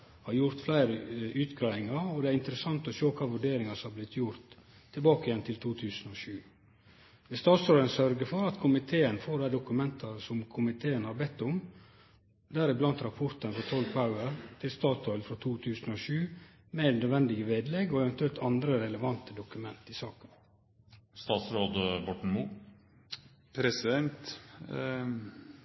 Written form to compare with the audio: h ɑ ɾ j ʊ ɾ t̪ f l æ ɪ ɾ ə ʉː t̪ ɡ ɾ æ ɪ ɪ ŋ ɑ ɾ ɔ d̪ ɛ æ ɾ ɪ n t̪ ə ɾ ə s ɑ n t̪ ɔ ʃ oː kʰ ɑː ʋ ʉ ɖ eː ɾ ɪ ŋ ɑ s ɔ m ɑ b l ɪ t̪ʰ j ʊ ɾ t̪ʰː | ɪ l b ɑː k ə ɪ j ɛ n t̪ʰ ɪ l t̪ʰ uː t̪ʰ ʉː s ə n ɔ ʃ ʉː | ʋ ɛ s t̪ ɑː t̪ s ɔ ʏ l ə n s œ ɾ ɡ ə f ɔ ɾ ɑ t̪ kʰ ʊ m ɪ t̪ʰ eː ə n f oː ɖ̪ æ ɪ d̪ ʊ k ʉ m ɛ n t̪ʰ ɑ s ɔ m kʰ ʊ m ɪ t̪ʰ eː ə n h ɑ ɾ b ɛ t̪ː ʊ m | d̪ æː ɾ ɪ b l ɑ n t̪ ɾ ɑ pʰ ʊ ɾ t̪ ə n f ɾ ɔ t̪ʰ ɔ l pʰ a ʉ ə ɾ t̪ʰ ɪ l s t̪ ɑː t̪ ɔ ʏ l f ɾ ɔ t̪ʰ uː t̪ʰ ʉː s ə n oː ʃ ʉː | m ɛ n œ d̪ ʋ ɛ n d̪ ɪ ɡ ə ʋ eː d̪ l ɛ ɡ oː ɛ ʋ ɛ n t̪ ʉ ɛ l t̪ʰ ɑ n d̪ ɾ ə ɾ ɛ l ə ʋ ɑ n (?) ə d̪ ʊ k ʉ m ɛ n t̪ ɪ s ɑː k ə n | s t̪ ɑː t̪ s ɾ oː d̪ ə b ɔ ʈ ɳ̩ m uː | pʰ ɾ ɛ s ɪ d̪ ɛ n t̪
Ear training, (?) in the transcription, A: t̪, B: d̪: A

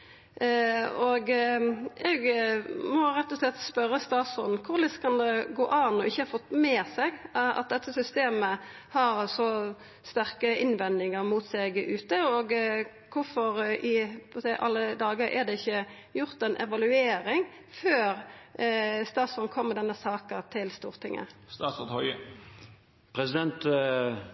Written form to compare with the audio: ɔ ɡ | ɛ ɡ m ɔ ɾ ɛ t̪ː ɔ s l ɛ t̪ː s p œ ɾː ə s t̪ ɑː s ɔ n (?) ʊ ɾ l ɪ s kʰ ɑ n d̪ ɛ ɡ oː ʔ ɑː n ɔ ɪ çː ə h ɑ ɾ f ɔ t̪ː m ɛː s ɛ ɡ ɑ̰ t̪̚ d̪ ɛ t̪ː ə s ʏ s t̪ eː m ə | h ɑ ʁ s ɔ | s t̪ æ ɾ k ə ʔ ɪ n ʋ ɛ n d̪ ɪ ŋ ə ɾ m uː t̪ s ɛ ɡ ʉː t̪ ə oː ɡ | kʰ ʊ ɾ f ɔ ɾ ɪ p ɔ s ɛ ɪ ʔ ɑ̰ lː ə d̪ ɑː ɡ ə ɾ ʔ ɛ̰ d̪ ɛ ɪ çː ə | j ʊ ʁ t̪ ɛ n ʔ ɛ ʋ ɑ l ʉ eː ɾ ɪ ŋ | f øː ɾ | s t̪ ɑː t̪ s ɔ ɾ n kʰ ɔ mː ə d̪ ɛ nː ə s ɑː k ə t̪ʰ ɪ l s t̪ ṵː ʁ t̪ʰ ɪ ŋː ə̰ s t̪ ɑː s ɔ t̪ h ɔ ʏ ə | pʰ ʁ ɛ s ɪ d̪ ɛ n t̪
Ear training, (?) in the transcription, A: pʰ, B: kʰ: B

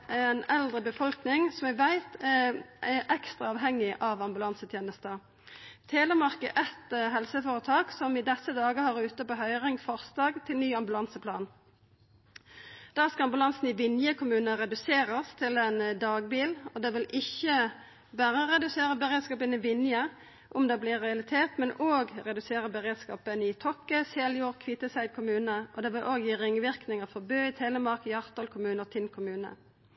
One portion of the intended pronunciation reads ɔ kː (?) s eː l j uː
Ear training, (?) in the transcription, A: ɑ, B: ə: B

